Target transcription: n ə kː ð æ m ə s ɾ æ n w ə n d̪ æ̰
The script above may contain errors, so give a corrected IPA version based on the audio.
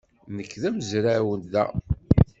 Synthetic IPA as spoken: n ə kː ð æ m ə z ɾ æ w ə n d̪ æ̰